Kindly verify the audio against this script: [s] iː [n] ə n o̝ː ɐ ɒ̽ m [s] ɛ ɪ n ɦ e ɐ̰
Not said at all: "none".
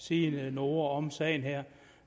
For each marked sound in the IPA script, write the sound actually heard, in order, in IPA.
s, n, s

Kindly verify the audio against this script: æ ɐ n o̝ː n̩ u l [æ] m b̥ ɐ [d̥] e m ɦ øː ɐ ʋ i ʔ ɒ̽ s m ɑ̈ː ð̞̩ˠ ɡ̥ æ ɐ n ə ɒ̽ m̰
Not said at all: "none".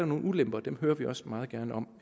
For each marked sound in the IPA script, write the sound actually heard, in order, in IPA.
e, d̥

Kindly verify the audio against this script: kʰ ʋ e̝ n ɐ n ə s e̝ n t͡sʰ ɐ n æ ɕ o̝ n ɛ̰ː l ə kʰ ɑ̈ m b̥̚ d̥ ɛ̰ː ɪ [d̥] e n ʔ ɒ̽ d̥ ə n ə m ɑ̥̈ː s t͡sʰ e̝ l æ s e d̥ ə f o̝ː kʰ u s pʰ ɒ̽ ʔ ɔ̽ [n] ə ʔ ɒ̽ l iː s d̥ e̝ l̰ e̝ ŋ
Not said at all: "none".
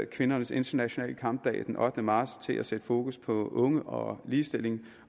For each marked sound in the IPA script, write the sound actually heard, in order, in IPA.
d̥, ŋ

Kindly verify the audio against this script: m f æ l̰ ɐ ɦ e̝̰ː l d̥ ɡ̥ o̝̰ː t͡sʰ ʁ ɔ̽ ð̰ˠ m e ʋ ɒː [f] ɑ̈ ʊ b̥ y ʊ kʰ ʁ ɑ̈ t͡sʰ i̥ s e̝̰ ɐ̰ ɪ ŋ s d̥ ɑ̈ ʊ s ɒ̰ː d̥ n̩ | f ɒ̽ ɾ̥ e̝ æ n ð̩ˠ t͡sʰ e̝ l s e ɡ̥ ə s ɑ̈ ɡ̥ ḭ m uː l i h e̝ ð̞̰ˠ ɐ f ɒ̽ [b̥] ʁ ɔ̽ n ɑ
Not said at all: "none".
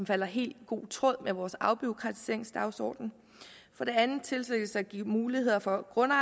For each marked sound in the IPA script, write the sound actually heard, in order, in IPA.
s, ɡ̥

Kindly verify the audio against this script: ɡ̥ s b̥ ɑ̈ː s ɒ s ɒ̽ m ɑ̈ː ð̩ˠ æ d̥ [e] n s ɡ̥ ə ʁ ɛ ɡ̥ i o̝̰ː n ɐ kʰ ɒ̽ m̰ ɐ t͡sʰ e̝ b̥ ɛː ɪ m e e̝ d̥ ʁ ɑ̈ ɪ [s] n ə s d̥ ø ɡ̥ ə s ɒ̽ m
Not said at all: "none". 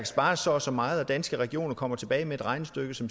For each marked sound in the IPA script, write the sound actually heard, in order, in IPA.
æ, none

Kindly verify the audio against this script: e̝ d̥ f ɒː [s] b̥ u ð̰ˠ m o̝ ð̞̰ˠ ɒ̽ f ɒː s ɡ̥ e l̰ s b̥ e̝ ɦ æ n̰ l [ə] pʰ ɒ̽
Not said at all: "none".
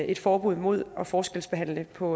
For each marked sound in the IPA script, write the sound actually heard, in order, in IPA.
none, ə

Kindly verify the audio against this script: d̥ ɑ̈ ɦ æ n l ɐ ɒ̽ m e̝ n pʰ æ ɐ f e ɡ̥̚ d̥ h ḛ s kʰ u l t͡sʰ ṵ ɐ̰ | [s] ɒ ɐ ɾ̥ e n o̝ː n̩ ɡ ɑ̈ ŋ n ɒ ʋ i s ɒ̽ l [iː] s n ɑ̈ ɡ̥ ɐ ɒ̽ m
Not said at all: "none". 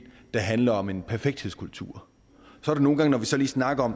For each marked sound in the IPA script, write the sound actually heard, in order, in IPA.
s, iː

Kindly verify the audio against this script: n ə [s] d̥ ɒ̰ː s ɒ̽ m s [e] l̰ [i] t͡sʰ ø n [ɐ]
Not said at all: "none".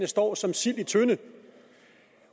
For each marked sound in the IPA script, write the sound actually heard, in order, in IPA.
s, i, i, ə

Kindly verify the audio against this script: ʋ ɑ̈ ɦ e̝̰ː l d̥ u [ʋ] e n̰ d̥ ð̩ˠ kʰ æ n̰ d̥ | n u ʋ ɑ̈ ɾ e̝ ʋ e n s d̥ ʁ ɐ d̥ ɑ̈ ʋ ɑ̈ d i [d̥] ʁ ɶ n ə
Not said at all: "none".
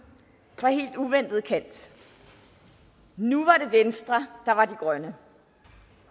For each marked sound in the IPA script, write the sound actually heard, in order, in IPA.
ʋ, ɡ̥

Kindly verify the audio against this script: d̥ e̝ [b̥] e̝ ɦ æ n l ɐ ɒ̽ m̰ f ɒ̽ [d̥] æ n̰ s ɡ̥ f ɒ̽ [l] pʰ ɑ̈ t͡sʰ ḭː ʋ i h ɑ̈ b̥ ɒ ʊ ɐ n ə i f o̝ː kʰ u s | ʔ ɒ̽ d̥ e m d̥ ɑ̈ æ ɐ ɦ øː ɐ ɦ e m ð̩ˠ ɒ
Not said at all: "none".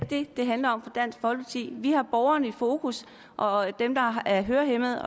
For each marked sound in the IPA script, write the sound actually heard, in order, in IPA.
d̥, d̥, l

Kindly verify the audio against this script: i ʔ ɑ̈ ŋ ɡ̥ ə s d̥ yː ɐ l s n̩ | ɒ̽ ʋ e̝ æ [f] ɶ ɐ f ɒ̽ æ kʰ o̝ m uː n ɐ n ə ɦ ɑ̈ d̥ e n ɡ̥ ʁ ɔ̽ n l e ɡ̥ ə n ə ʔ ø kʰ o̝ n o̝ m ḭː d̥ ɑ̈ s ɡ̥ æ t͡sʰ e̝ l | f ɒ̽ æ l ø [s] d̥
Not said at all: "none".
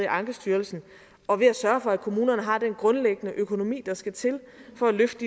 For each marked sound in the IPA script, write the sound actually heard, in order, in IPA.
s, f

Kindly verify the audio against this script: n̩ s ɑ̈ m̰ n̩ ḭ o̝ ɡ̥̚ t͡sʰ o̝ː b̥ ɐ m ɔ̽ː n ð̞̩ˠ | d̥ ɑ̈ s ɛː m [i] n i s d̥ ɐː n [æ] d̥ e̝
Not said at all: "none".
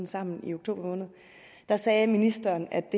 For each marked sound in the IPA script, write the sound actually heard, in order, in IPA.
i, æ

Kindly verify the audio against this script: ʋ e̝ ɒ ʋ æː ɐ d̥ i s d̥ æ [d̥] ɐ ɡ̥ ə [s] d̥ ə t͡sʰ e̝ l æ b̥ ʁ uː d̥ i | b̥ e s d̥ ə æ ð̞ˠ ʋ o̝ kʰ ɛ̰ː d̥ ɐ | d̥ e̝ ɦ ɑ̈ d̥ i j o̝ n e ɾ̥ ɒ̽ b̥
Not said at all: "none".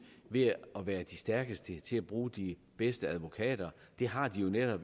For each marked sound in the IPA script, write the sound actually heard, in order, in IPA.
none, s

